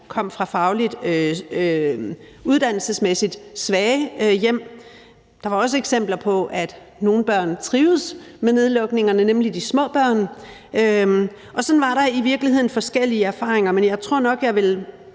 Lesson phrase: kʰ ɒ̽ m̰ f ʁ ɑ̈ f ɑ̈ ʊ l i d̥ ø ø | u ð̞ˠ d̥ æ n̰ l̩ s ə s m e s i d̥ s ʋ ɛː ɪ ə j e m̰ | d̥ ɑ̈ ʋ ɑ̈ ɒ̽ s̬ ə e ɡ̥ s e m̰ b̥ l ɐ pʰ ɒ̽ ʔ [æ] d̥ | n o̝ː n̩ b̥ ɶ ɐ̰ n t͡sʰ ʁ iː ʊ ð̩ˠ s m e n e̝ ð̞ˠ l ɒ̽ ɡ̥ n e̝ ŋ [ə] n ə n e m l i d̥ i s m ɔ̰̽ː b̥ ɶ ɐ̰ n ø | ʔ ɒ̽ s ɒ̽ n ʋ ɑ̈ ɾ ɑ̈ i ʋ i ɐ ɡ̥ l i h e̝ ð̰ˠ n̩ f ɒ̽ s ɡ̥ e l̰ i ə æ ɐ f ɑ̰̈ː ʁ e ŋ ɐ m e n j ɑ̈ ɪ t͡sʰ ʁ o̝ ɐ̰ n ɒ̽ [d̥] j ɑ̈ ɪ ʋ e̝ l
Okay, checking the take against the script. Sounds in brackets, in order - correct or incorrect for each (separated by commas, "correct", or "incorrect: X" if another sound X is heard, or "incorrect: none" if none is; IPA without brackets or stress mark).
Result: correct, incorrect: ɐ, incorrect: ɡ̥